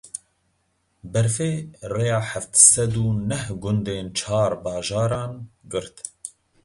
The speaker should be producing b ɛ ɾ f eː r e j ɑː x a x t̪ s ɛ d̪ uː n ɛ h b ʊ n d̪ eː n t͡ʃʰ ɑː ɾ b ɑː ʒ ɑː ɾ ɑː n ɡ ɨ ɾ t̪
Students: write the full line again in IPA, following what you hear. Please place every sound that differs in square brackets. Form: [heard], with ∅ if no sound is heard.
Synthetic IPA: b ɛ ɾ f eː r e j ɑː [ħ] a [f] t̪ s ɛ d̪ uː n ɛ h [ɡ] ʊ n d̪ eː n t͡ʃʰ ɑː ɾ b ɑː ʒ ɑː ɾ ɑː n ɡ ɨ ɾ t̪